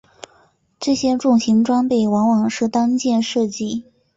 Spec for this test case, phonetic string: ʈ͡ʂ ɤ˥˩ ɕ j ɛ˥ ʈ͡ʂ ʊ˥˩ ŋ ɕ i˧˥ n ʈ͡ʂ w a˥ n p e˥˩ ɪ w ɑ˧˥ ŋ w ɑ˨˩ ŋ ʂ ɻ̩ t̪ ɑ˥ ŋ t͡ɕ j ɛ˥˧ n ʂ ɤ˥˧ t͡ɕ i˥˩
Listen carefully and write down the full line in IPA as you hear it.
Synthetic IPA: ʈ͡ʂ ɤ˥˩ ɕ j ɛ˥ ʈ͡ʂ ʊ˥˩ ŋ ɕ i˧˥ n ʈ͡ʂ w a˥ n p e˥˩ ɪ w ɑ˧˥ ŋ w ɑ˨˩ ŋ ʂ ɻ̩ t̪ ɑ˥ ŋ t͡ɕ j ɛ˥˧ n ʂ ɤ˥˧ t͡ɕ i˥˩